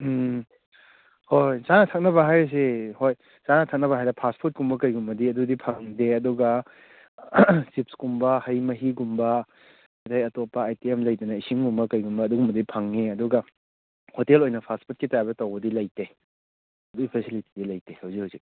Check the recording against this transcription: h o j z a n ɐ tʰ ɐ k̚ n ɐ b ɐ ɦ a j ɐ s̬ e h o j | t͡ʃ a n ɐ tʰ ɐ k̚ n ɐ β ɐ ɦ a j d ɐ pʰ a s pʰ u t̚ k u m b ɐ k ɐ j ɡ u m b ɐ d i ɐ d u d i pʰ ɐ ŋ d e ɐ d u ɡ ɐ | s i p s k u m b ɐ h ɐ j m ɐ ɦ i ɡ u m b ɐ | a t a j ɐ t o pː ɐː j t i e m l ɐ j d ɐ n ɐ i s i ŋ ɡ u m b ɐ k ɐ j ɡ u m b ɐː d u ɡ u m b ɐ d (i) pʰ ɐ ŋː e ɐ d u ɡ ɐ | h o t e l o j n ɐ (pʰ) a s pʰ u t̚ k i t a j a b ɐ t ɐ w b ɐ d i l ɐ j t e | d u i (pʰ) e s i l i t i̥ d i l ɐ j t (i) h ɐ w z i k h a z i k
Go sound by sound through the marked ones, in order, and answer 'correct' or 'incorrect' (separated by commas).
correct, correct, correct, incorrect